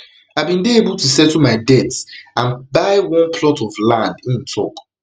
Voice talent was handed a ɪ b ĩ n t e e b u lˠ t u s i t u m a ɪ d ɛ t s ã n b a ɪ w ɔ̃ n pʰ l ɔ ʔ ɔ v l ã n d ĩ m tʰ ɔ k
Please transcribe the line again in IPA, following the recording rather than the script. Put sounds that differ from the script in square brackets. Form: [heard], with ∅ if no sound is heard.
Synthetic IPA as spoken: a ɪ b ĩ n [d] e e b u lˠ t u s [ɛ] t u m a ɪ d ɛ t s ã n b a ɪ w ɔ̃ n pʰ l ɔ [t] ɔ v l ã n d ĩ [n] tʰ ɔ k